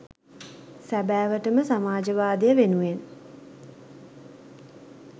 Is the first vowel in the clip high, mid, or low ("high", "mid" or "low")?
low